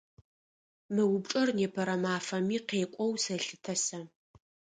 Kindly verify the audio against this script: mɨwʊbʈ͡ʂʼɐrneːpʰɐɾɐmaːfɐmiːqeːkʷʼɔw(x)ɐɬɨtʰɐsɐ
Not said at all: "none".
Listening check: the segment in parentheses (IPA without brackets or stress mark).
s